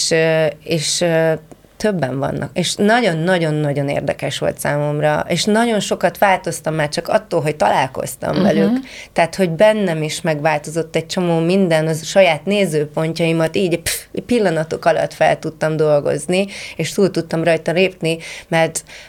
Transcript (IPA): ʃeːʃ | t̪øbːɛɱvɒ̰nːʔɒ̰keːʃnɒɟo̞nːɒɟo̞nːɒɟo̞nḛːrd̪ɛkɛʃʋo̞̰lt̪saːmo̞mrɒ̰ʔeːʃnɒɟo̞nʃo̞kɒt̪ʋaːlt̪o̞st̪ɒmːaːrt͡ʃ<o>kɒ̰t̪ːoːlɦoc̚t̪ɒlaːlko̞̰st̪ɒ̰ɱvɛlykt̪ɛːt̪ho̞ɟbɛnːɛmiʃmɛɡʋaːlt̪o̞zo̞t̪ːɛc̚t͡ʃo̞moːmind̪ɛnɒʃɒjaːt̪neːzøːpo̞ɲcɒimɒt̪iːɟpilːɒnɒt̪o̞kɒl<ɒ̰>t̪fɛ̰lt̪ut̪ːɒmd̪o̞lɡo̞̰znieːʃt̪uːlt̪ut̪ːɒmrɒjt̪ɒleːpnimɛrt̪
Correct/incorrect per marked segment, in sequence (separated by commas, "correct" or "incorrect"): incorrect, correct